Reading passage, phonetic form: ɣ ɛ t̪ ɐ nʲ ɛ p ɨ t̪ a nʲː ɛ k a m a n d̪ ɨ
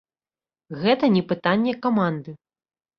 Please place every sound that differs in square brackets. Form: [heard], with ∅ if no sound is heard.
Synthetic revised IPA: ɣ ɛ t̪ ɐ nʲ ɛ p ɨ t̪ a nʲː ɛ k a m a n d̪ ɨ